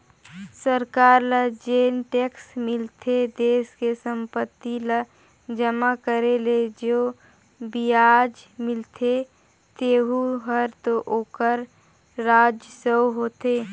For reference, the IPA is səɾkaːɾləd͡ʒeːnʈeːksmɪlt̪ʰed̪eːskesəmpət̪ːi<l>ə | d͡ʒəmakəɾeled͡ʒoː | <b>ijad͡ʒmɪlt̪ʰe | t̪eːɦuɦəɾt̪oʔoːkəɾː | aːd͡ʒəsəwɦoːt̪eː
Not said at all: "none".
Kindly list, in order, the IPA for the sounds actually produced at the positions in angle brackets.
l, b

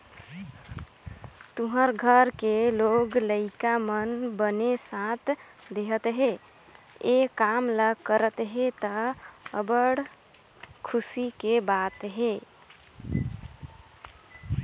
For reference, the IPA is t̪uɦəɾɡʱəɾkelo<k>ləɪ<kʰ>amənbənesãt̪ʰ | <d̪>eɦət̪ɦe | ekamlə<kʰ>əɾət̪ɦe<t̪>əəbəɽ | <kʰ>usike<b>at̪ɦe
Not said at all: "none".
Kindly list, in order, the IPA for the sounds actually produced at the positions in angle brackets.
ɡ, k, d̪, k, t̪, kʰ, b

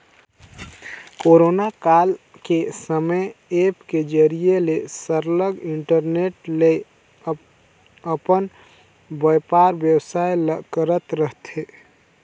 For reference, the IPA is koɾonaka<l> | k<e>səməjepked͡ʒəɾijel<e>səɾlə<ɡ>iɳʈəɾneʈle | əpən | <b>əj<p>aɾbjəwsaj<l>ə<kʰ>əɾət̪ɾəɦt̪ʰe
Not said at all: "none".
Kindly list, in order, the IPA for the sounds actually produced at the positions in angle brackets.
l, e, e, ɡ, b, p, l, k

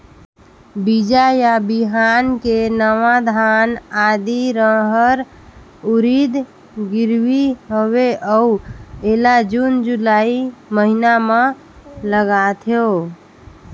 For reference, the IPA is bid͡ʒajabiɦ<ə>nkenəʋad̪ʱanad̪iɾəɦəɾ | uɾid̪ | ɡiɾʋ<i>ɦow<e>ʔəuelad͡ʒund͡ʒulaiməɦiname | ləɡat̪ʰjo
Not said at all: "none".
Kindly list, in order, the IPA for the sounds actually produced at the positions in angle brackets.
a, i, e

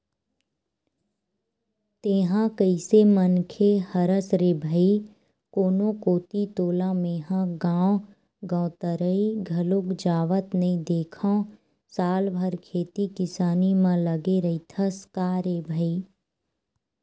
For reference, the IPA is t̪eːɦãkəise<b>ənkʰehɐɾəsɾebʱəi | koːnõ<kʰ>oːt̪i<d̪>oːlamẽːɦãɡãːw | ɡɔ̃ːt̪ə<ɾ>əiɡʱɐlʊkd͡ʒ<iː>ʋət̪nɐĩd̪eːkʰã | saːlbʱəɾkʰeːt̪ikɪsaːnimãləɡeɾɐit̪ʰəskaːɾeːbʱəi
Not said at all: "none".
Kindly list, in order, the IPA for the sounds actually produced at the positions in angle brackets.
m, k, t̪, ɾ, aː

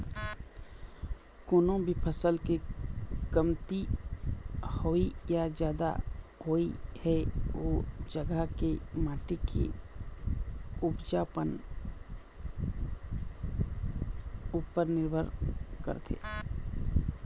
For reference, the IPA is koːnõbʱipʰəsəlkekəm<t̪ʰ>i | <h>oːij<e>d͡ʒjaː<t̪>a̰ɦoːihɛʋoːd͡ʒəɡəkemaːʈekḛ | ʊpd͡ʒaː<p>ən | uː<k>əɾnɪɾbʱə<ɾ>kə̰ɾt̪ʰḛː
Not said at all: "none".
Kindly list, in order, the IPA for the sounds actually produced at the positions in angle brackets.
t̪, h, a, d̪, p, p, ɾ

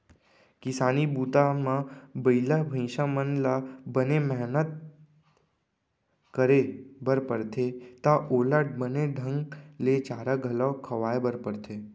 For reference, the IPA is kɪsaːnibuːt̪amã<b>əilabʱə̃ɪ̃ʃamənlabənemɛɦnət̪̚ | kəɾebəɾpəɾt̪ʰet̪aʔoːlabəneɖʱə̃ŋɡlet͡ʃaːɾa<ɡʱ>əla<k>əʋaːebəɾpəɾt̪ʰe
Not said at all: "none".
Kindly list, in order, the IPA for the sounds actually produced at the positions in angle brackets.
b, ɡʱ, kʰ

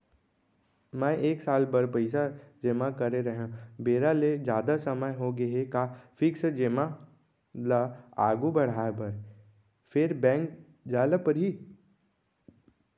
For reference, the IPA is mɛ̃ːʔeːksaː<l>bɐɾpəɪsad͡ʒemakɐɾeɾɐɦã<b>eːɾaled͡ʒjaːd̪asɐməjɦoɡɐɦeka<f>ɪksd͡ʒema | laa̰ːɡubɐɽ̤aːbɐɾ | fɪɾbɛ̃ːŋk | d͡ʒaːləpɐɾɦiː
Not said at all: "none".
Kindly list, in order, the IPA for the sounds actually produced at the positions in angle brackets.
l, b, f

